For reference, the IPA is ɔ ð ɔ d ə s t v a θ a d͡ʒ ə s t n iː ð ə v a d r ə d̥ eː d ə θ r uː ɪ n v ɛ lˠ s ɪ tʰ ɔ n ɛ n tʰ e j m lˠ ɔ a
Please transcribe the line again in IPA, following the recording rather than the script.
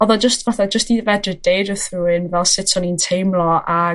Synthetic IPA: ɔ ð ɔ d͡ʒ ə s t v a θ a d͡ʒ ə s t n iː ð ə v ɛ d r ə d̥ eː d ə θ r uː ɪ n v ɛ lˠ s ɪ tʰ ɔ n i n tʰ e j m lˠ ɔ a